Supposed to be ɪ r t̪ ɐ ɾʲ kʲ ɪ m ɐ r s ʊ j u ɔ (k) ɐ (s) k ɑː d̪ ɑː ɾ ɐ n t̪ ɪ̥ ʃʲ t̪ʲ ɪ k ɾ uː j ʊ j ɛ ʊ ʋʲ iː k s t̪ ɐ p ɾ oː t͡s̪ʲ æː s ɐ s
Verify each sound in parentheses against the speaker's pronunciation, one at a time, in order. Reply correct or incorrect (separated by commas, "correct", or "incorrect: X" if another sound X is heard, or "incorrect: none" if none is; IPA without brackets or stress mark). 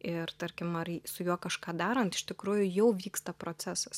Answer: correct, incorrect: ʃ